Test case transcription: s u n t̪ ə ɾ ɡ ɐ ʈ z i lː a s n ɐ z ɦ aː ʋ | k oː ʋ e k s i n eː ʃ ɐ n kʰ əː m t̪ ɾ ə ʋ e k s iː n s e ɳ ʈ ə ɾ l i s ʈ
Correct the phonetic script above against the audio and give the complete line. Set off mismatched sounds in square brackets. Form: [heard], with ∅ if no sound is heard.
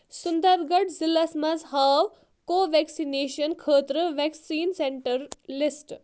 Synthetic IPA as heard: s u n [d̪] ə ɾ ɡ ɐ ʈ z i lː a s [m] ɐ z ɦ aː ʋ | k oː ʋ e k s i n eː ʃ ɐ n kʰ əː [∅] t̪ ɾ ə ʋ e k s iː n s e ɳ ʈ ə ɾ l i s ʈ